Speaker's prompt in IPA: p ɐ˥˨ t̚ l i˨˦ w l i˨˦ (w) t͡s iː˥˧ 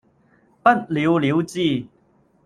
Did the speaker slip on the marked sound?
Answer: no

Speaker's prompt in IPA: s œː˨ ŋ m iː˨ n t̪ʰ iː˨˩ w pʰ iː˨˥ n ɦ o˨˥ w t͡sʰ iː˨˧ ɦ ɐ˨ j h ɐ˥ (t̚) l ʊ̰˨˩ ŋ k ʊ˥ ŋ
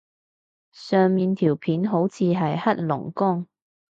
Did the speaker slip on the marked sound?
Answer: no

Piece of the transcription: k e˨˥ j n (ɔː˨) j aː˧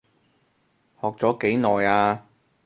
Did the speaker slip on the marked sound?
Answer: no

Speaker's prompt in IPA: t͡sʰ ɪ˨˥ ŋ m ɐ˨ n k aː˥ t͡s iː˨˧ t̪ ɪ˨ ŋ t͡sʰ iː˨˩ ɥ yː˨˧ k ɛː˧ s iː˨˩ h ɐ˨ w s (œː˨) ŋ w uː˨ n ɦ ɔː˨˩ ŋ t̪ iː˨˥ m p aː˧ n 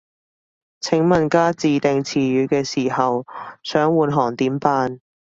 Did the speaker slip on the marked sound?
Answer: yes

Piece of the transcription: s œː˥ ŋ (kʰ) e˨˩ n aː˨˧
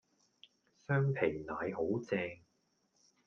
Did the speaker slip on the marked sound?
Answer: yes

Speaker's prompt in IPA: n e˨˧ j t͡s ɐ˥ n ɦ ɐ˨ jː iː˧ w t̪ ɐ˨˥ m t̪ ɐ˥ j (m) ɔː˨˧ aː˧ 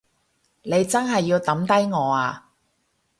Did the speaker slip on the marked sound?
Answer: yes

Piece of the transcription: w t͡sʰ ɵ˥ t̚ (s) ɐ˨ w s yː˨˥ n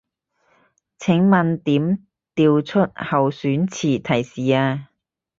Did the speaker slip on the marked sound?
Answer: yes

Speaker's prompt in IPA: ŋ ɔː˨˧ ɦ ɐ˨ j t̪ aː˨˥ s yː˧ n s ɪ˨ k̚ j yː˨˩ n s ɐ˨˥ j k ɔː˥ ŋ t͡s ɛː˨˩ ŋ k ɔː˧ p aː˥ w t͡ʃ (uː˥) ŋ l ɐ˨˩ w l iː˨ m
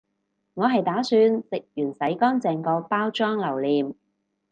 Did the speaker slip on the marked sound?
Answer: yes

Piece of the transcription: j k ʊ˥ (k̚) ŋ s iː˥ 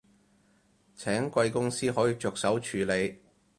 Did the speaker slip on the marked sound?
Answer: yes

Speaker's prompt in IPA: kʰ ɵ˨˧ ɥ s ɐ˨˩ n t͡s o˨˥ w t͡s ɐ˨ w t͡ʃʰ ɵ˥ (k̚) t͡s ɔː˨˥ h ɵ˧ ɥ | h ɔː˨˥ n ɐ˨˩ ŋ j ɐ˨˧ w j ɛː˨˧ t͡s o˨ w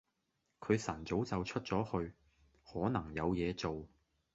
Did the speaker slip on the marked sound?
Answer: yes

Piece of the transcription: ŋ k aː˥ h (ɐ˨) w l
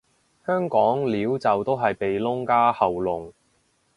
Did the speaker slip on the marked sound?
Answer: no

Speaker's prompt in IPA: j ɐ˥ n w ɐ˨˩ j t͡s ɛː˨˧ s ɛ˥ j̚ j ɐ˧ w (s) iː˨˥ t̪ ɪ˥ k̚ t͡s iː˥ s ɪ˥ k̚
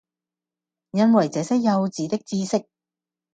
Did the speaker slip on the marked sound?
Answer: yes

